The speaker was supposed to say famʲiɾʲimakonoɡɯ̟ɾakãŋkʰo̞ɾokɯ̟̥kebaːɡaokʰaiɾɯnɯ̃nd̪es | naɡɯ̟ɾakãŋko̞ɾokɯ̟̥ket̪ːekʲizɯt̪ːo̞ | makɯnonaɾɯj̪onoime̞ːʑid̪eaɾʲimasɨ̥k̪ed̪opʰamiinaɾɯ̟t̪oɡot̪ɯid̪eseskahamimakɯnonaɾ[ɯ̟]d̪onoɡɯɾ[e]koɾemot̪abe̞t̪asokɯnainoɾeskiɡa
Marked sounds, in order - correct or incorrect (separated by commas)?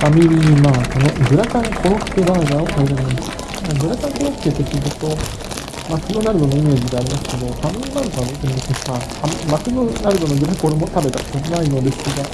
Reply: correct, incorrect